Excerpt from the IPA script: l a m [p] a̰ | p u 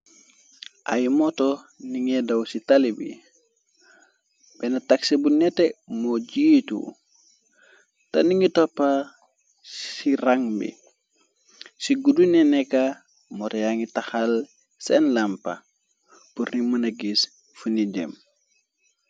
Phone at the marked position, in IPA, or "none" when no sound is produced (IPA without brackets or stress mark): p